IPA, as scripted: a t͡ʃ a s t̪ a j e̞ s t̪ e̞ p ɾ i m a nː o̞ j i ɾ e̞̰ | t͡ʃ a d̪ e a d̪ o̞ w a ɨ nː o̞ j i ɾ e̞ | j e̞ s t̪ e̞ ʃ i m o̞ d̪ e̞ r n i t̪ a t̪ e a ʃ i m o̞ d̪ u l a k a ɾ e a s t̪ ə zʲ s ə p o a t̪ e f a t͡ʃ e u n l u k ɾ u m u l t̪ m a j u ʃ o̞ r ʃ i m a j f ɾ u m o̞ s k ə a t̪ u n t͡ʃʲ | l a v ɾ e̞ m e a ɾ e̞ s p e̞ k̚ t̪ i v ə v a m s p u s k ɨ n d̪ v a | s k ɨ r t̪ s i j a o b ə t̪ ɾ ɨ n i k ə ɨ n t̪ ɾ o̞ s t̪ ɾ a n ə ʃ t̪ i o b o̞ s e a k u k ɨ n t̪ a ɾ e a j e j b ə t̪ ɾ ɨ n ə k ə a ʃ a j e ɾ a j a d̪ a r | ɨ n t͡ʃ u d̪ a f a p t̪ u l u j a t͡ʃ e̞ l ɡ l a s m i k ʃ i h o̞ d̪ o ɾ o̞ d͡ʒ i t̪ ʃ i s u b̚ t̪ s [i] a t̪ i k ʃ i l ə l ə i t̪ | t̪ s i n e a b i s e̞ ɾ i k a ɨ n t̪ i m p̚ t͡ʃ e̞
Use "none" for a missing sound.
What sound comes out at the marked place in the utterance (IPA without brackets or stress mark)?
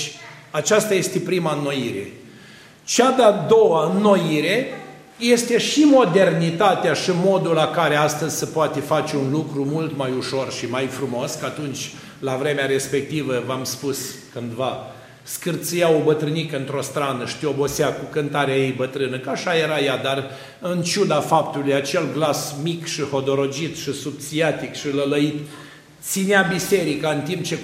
i